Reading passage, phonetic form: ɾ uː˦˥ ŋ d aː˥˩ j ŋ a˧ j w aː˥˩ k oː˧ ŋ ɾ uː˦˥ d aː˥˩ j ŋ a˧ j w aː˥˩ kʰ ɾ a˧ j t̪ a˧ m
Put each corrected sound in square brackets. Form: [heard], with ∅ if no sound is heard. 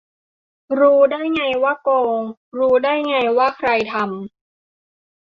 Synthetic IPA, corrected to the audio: ɾ uː˦˥ [∅] d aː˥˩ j ŋ a˧ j w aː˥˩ k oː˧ ŋ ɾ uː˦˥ d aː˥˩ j ŋ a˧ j w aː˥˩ kʰ ɾ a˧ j [t̪ʰ] a˧ m